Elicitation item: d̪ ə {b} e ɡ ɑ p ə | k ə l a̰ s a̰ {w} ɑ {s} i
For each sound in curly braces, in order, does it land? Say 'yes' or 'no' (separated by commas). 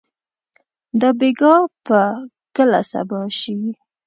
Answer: yes, no, no